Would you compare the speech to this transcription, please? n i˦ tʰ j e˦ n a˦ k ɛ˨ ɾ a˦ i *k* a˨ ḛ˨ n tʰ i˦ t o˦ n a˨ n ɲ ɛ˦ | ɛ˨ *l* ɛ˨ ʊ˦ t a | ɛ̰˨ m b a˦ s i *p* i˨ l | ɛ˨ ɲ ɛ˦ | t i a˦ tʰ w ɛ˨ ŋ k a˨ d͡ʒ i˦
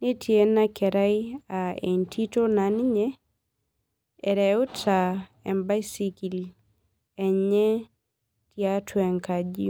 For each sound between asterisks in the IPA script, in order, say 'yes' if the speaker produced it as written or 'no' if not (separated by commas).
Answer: no, no, no